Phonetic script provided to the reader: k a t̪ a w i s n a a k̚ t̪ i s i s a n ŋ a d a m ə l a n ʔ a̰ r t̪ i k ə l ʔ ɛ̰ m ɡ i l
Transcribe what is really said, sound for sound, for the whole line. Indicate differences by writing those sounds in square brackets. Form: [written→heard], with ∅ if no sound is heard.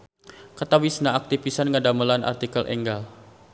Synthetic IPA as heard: k a t̪ a w i s n a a k̚ t̪ i [s→f] i s a n ŋ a d a m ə l a n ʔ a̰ r t̪ i k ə l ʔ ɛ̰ [m→ŋ] ɡ [i→a] l